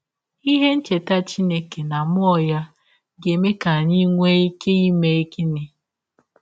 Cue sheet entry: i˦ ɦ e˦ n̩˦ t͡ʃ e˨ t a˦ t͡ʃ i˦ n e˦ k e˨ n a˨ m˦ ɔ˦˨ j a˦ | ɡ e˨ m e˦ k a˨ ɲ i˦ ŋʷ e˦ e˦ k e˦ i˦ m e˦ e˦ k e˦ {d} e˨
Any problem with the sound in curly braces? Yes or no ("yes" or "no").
yes